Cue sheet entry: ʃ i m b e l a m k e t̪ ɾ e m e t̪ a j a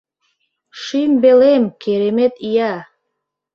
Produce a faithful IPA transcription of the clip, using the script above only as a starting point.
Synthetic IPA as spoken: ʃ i m b e l e m k e ɾ e m e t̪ i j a